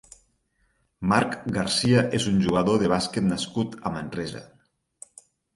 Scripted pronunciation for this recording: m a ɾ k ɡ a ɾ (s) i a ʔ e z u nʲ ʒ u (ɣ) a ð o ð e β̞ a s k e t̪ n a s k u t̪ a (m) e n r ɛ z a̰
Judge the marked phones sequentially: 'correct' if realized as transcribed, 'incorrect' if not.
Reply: correct, correct, correct

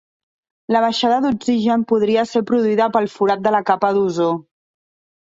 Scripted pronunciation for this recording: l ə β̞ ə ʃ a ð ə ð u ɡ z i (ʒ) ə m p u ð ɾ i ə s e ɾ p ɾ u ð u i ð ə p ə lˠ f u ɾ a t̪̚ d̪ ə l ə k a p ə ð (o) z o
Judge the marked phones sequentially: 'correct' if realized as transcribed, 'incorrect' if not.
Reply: correct, incorrect: u

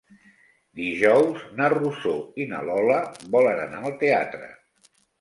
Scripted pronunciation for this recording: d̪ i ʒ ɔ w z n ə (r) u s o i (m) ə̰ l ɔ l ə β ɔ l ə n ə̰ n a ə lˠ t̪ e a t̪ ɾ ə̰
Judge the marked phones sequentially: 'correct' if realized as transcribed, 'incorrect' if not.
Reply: correct, incorrect: n

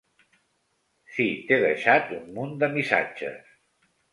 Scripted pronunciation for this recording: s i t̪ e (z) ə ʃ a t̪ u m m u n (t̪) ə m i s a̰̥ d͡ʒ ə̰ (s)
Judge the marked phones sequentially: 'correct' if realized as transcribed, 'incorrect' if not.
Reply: incorrect: ð, incorrect: d̪, correct

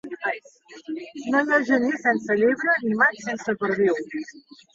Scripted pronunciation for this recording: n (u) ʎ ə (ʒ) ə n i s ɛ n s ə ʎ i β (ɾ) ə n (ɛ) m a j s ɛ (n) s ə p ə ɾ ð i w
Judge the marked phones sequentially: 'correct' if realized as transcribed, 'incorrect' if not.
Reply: incorrect: o, correct, correct, incorrect: i, correct

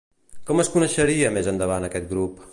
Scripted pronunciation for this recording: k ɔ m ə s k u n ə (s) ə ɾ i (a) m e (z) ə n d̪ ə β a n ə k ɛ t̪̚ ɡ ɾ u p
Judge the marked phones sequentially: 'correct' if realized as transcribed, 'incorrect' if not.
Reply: incorrect: ʃ, incorrect: ə, correct

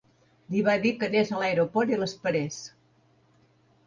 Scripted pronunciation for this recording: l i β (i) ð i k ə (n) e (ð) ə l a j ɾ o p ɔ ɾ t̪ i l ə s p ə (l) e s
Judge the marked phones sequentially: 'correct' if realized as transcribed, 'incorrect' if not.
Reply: incorrect: a, correct, incorrect: z, incorrect: ɾ

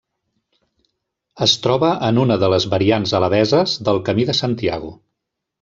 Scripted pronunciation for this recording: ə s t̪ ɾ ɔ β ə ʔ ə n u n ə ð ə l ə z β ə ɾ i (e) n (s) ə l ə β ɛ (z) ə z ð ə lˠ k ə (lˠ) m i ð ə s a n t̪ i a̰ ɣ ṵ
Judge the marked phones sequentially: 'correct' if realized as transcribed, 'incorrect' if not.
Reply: incorrect: a, incorrect: z, correct, incorrect: none

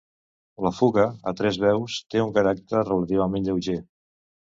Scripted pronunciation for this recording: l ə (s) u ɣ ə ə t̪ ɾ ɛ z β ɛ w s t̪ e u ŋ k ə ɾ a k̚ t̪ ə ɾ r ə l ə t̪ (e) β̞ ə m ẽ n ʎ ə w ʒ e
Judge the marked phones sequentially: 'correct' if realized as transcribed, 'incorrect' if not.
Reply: incorrect: f, incorrect: i

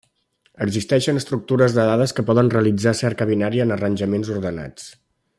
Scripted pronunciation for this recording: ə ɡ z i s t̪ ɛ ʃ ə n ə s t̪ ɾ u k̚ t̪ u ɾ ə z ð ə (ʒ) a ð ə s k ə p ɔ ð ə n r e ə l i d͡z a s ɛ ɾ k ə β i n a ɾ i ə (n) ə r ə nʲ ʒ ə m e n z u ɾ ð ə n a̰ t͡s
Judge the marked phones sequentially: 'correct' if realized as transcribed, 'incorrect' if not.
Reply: incorrect: ð, correct

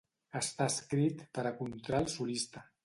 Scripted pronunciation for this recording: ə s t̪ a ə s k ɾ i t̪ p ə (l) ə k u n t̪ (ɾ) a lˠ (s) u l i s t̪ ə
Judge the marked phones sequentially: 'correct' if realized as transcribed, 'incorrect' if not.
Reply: incorrect: ɾ, correct, correct

